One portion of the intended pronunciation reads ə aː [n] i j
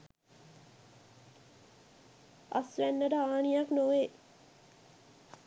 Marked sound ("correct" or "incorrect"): correct